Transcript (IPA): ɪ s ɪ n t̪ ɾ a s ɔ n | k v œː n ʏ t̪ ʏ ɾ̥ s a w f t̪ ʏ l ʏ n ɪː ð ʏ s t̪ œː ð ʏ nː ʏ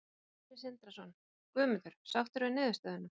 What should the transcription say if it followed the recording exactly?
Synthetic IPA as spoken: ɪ s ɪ n t̪ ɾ a s ɔ n | k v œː m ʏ t̪ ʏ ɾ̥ s a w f t̪ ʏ ɾ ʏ n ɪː ð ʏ s t̪ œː ð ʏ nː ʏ